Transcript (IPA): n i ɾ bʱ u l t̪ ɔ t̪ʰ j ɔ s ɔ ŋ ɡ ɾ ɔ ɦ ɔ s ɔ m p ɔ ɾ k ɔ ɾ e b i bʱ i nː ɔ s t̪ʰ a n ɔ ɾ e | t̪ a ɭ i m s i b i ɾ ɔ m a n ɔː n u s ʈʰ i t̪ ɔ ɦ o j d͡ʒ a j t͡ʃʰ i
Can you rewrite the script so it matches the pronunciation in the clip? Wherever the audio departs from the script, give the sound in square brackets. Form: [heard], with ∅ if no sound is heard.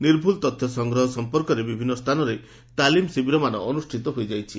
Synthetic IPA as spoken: n i ɾ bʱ u l t̪ ɔ t̪ʰ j ɔ s ɔ ŋ ɡ ɾ ɔ ɦ ɔ s ɔ m p ɔ ɾ k ɔ ɾ e b i bʱ i nː ɔ s t̪ʰ a n ɔ ɾ e | t̪ a [l] i m s i b i ɾ ɔ m a n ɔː n u s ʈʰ i t̪ ɔ ɦ o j d͡ʒ a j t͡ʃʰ i